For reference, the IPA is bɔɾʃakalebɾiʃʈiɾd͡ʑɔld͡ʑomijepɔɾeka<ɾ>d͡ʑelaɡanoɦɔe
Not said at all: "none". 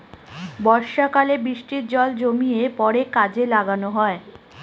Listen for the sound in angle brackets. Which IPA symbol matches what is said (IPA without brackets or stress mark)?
none